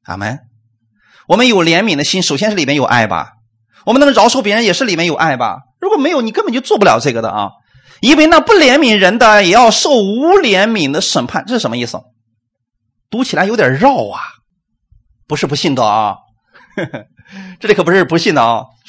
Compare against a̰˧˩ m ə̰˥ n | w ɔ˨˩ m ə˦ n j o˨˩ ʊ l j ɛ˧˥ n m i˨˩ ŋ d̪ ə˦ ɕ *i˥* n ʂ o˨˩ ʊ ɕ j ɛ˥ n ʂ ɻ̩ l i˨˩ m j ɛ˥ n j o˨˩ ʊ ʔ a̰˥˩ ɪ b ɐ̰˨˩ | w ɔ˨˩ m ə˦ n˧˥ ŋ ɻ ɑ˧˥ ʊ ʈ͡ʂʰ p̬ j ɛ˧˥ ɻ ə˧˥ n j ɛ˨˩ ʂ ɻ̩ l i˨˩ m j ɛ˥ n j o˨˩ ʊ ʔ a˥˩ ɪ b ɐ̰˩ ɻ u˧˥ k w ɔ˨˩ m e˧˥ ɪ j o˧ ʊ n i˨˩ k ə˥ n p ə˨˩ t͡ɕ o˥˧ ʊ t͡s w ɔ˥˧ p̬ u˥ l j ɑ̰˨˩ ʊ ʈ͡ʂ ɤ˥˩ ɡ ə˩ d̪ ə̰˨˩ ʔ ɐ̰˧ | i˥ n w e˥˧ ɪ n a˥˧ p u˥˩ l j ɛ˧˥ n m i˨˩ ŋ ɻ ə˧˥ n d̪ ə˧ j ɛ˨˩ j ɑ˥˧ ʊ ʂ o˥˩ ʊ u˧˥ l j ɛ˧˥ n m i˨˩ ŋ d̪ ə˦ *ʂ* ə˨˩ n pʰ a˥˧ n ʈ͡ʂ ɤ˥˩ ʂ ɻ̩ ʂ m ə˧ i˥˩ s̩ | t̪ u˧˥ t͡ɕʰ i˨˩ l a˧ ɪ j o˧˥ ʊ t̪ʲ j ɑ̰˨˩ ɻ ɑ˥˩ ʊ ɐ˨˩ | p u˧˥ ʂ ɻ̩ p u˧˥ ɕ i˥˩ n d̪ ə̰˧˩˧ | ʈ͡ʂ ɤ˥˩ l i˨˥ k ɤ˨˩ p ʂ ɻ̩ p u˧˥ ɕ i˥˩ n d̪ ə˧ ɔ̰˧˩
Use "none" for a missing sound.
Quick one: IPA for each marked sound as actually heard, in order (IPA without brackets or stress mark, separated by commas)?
i˥, ʂ